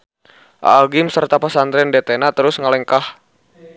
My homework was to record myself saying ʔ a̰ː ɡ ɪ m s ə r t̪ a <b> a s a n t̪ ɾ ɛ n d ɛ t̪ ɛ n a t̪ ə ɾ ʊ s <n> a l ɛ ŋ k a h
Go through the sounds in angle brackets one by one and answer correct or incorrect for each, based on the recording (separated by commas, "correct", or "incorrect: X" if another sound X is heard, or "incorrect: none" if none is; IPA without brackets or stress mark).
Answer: incorrect: p, incorrect: ŋ